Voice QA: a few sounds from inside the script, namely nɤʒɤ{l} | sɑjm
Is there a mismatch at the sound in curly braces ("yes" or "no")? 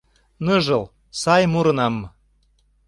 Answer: no